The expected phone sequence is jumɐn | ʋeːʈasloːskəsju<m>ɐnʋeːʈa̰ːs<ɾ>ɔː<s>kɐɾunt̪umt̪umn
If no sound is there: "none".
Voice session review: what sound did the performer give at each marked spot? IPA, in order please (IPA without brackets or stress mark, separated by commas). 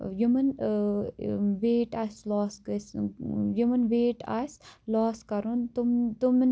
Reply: m, l, s